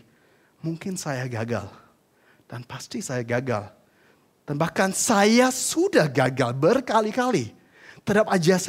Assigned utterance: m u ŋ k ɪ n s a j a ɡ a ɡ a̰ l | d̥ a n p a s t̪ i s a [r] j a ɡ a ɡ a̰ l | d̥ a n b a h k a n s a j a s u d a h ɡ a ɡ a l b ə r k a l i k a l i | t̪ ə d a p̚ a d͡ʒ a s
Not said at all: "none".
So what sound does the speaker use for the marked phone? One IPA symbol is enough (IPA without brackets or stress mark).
none